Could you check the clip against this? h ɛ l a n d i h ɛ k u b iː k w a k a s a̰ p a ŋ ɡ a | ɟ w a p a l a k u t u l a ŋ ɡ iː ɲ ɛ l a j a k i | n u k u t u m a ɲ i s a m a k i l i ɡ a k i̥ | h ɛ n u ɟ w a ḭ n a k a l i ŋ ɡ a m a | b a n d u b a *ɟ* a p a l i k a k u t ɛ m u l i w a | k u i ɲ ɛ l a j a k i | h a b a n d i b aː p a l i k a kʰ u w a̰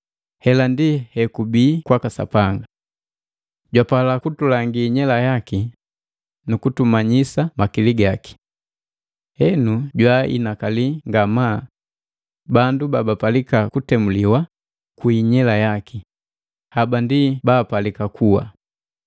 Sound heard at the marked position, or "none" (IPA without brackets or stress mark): b